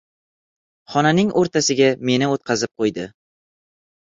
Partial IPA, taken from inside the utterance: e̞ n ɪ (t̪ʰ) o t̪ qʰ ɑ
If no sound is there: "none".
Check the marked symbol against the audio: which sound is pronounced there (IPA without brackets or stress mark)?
none